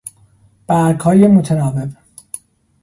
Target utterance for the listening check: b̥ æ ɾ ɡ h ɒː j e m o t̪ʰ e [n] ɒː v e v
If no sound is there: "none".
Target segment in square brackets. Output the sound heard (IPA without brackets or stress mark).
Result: n